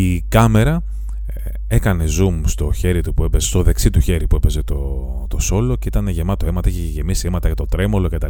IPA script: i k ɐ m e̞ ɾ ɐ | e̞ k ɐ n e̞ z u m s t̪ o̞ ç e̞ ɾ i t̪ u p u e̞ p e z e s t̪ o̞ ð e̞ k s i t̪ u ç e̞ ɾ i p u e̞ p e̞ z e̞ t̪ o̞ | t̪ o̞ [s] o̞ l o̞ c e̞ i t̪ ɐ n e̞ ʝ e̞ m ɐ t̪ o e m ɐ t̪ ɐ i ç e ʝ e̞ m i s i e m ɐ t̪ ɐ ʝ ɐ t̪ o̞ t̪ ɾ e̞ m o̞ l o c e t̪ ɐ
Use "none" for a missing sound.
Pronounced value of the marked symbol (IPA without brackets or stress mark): s